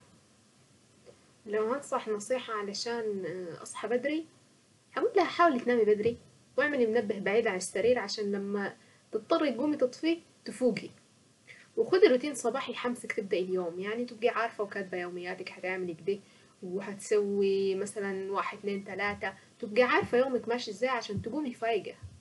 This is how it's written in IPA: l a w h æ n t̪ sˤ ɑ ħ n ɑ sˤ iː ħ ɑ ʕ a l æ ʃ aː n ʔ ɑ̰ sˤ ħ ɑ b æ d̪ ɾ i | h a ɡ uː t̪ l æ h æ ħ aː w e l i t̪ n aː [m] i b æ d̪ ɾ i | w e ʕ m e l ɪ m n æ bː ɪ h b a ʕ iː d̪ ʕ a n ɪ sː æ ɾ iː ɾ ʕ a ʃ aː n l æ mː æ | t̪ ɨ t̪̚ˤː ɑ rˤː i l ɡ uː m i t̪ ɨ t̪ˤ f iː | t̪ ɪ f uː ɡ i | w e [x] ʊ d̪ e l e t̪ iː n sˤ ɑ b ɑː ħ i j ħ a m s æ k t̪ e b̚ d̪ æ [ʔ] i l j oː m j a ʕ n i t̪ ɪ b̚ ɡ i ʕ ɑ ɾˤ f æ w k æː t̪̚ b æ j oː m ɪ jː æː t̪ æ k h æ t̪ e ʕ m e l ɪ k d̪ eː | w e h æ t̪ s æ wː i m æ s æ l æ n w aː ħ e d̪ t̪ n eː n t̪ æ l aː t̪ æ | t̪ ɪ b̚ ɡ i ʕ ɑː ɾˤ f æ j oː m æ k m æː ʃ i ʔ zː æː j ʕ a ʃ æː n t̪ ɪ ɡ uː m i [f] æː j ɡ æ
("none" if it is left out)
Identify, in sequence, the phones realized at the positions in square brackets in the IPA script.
m, x, ʔ, f

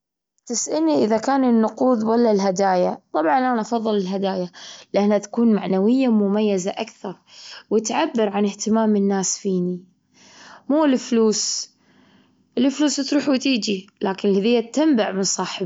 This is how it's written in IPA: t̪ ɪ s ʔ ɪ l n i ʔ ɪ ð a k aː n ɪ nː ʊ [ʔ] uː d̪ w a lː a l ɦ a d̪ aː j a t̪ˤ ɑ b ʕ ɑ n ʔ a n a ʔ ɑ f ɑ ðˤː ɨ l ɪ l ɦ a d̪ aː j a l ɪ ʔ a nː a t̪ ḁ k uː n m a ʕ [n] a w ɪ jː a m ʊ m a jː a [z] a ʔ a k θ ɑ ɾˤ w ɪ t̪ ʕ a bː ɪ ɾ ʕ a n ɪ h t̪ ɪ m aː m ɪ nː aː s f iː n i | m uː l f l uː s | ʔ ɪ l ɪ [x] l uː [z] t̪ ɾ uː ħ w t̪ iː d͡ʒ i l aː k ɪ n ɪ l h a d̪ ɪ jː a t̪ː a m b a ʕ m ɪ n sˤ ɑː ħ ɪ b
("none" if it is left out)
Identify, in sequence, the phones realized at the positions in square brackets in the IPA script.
q, n, z, f, s

